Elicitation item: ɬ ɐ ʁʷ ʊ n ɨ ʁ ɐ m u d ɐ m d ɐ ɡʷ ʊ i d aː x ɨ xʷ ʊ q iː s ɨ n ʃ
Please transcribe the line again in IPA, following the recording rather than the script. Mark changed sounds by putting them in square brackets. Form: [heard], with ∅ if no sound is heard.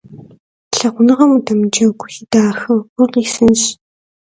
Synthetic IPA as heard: ɬ ɐ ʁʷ ʊ n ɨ ʁ ɐ m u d ɐ m [d͡ʒ] ɐ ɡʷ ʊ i d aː x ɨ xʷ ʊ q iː s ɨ n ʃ